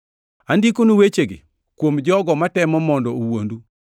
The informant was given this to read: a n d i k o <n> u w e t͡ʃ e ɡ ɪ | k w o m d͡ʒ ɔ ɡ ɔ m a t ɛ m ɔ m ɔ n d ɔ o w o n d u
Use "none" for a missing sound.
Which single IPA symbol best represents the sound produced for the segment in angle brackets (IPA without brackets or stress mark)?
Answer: n